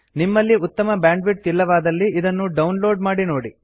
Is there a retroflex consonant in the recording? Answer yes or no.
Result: yes